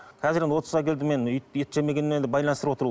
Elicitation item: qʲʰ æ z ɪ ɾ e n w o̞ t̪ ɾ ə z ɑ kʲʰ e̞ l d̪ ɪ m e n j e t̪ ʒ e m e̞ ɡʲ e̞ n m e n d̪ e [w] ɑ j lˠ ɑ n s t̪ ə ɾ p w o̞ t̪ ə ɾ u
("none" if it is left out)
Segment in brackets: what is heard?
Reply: b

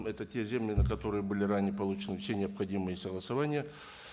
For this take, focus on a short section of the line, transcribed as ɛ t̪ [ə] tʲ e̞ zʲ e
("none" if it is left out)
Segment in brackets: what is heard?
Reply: ə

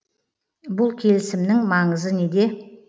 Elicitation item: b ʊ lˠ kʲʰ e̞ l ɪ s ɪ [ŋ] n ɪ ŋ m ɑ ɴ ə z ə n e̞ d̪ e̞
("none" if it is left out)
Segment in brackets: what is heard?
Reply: m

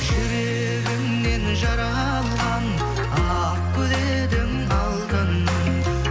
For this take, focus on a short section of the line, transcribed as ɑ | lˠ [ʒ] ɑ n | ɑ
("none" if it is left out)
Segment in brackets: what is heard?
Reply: ʁ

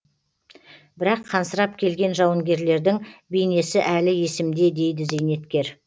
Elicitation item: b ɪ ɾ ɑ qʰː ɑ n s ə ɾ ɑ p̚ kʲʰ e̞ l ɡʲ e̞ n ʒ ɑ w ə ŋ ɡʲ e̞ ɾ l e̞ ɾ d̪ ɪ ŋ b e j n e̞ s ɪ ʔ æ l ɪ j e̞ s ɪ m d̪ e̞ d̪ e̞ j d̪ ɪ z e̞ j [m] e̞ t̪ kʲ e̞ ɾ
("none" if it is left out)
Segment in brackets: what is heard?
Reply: n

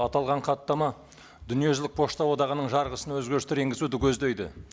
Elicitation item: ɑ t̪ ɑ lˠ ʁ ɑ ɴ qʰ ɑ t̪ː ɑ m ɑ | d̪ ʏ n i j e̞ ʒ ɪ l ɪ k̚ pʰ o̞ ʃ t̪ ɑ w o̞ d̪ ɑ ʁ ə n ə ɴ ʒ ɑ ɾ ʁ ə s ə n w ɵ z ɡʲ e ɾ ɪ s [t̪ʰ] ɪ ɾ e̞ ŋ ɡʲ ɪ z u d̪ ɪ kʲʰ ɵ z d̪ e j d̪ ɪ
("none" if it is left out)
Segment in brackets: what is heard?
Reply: t̪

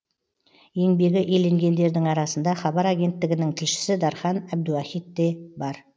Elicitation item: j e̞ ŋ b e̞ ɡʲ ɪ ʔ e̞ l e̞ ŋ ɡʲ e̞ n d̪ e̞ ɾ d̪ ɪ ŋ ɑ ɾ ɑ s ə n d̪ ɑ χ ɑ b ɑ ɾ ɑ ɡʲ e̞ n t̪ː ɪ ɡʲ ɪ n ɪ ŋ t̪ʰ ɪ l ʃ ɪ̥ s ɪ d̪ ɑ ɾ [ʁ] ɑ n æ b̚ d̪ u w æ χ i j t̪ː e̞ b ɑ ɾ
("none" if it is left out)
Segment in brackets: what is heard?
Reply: χ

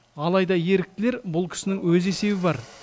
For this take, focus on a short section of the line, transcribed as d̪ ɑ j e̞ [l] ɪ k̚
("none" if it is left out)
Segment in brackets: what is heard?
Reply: ɾ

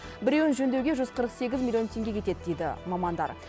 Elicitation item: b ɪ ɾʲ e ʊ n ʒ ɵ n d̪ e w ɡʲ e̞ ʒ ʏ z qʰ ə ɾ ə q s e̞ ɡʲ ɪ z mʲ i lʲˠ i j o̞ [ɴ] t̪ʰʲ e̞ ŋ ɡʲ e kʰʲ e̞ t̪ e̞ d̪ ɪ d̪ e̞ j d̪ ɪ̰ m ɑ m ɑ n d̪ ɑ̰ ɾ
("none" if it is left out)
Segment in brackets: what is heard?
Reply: n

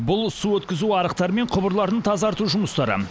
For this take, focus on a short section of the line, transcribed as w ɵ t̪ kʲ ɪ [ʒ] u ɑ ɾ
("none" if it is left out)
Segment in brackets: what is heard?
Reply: z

